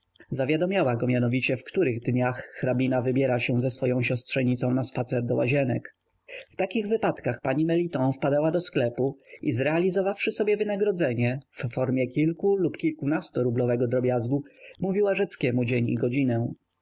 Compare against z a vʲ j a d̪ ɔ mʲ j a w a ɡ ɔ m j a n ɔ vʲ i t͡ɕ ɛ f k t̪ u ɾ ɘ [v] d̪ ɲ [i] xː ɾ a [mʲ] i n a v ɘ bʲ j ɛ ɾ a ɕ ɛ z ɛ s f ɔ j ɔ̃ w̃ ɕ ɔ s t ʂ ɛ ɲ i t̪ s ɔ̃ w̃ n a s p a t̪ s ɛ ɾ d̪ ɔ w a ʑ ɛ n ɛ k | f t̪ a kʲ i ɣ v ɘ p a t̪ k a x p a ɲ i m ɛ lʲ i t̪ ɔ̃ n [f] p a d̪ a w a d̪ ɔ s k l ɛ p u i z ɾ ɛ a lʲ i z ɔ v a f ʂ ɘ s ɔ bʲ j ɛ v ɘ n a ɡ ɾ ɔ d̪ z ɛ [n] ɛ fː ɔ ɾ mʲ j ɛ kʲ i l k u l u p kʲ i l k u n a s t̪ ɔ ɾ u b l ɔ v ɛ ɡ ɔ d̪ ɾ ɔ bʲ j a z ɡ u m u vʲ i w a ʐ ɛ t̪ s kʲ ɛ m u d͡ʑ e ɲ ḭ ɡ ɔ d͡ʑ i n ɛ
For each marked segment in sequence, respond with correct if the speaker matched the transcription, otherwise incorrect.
incorrect: ɣ, incorrect: a, incorrect: bʲ, correct, incorrect: ɲ

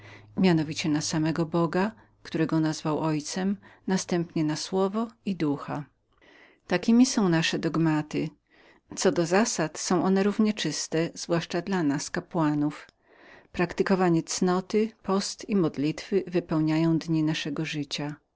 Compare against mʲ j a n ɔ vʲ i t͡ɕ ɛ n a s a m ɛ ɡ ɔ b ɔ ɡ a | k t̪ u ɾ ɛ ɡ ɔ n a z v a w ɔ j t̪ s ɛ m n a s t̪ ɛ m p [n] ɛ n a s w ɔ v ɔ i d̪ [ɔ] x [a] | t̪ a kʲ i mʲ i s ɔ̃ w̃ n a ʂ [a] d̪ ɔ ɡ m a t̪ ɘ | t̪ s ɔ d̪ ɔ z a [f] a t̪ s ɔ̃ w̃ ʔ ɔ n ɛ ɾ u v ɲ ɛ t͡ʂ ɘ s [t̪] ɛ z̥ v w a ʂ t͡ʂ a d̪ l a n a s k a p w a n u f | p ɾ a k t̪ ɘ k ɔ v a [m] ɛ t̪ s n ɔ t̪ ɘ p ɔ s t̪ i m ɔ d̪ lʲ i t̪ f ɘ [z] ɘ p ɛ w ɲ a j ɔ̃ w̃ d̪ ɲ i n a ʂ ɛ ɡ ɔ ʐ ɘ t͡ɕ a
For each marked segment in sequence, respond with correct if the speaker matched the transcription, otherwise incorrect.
incorrect: ɲ, incorrect: u, correct, incorrect: ɛ, incorrect: s, correct, incorrect: ɲ, incorrect: v

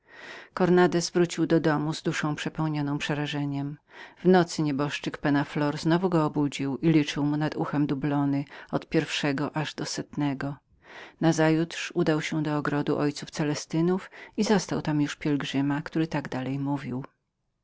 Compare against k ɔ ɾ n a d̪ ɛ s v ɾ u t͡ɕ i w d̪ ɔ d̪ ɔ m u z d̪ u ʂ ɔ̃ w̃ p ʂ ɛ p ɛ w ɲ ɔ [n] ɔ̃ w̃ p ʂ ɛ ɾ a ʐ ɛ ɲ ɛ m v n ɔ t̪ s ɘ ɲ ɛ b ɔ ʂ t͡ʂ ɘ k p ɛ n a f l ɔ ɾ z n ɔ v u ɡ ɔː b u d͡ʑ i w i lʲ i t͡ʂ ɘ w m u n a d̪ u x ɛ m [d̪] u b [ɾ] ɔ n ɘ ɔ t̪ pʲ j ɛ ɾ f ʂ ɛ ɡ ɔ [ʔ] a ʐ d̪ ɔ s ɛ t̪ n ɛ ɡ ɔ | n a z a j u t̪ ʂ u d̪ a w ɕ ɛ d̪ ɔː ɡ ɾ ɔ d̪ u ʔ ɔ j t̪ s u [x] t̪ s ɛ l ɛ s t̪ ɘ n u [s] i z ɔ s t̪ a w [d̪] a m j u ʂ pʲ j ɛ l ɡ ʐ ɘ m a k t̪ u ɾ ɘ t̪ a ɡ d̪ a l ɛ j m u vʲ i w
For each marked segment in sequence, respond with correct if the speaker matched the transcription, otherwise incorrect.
correct, correct, incorrect: l, correct, incorrect: f, incorrect: f, incorrect: t̪

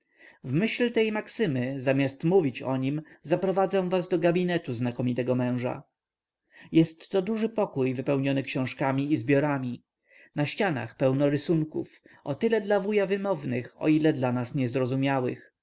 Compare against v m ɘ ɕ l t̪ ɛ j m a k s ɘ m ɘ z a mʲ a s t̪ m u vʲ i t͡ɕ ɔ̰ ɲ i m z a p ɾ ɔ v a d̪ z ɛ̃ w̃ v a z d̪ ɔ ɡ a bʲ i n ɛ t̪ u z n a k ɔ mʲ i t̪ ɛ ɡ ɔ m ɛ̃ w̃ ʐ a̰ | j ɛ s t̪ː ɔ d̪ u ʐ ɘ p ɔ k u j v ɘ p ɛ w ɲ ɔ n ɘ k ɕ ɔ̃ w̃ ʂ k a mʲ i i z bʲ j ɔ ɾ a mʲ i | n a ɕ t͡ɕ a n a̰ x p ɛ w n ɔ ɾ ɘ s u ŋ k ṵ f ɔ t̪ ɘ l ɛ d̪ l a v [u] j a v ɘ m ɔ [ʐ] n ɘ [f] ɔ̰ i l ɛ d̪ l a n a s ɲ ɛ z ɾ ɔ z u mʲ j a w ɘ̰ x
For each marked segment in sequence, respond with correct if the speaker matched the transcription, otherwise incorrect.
correct, incorrect: v, incorrect: x

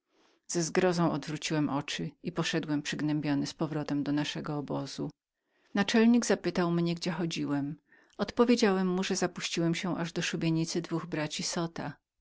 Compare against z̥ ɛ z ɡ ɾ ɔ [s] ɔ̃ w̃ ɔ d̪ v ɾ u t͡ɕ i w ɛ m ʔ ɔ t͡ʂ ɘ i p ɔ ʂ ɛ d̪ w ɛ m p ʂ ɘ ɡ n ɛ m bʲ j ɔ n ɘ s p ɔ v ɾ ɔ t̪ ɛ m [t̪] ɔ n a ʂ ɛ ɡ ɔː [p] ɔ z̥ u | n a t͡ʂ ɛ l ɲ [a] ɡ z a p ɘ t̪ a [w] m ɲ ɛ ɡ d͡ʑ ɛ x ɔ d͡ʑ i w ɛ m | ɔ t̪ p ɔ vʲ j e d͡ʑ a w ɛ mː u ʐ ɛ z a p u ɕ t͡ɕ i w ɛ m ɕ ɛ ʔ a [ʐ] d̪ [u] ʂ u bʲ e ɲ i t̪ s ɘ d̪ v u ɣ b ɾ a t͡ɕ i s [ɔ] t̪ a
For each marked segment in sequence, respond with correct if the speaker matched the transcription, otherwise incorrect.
incorrect: z, incorrect: d̪, incorrect: b, incorrect: i, correct, correct, incorrect: ɔ, correct

